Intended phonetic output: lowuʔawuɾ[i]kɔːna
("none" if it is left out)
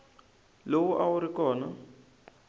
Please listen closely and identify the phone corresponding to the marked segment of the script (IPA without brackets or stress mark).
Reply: i